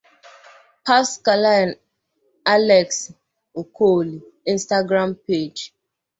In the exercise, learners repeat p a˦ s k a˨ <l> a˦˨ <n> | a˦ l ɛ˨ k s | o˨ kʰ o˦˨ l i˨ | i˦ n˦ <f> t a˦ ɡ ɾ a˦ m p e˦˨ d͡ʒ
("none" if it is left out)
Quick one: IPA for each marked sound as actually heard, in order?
l, n, s

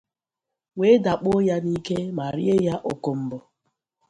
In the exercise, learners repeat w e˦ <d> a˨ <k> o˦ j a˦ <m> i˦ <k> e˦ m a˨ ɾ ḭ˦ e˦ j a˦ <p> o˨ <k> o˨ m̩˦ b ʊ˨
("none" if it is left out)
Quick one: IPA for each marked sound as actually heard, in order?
d, k͡p, n, k, ʔ, k

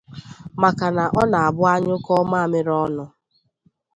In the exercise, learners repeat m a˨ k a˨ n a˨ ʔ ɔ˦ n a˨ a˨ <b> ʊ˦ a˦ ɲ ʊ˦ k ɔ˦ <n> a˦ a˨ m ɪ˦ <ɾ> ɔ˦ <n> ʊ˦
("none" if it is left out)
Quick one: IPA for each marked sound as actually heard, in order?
b, m, ɾ, n

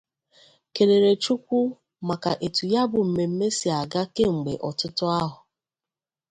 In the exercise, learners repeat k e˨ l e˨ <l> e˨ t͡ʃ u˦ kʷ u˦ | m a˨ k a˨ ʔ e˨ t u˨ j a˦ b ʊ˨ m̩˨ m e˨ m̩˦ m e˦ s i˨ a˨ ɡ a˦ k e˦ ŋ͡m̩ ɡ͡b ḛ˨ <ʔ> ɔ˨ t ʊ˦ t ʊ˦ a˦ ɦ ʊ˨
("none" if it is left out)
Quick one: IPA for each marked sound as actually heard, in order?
ɾ, ʔ

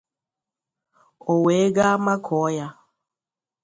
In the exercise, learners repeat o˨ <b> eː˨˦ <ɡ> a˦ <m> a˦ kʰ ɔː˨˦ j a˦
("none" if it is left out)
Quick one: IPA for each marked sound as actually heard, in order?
w, ɡ, m

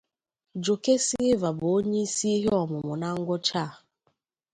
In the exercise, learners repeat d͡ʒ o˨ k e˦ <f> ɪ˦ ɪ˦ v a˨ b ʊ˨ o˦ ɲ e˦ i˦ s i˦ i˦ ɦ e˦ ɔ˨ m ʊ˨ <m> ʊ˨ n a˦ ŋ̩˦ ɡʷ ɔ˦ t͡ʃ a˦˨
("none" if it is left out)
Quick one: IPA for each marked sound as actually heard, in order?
s, m

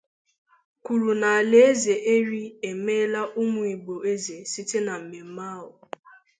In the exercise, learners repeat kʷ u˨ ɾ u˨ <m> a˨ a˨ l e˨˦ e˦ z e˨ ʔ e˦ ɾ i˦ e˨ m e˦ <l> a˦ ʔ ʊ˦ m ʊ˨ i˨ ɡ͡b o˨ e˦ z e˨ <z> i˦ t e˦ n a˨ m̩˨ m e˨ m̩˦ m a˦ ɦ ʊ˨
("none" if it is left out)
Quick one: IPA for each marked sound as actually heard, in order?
n, l, s

